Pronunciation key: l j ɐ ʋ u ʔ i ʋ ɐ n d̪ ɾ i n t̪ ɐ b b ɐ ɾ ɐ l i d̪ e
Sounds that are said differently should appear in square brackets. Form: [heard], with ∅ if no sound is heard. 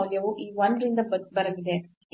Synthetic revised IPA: l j ɐ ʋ u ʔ [iː] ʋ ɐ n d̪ ɾ i n [d̪] ɐ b b ɐ ɾ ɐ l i d̪ e